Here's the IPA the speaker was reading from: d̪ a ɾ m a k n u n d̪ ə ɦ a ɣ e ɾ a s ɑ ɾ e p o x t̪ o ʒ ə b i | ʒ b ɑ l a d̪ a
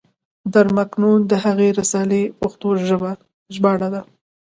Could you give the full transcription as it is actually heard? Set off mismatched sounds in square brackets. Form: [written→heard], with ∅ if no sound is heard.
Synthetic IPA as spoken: d̪ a ɾ m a k n u n d̪ ə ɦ a ɣ e ɾ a s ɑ [ɾ→l] e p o x t̪ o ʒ ə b [i→a] | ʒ b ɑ [l→ɽ] a d̪ a